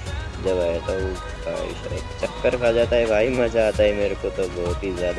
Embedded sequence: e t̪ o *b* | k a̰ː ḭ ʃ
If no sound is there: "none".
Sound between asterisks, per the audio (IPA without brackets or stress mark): none